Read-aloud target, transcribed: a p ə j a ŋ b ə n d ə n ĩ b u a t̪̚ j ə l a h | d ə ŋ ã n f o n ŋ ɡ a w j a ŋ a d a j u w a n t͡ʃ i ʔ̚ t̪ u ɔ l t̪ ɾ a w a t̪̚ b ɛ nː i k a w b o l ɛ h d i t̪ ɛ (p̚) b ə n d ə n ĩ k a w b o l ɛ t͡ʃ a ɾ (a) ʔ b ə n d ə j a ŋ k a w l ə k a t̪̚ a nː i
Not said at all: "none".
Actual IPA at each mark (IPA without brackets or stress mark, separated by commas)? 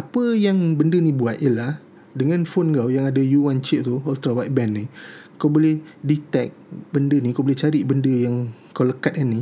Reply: k̚, i